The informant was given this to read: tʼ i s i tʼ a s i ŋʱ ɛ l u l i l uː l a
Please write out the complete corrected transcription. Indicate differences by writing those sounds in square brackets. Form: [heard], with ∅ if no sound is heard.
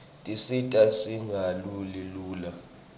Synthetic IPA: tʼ i s i tʼ a s i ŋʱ [a] l u l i l uː l a